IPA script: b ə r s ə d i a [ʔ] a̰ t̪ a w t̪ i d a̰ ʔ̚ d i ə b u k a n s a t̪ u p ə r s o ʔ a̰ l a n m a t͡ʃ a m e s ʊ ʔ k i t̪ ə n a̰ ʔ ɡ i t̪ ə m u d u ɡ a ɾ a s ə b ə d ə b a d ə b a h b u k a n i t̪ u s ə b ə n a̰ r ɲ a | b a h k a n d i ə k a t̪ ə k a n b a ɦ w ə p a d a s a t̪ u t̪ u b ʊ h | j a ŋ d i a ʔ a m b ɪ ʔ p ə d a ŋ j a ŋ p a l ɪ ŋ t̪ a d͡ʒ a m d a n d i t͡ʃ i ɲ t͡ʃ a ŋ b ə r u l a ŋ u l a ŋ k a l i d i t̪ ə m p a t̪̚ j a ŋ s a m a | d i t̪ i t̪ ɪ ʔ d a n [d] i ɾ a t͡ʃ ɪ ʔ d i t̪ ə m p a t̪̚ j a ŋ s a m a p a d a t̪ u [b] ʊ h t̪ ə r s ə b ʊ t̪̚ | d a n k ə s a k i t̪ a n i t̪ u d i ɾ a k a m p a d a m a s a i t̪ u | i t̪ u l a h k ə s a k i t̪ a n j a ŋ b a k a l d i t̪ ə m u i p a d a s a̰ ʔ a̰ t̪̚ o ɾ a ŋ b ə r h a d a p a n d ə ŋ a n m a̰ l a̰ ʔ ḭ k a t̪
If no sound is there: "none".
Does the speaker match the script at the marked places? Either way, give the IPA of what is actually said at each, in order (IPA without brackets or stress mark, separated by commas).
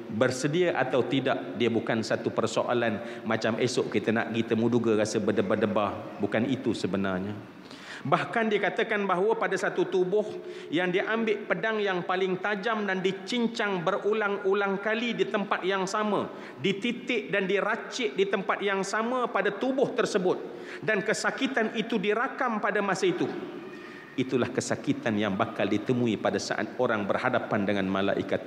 ʔ, d, b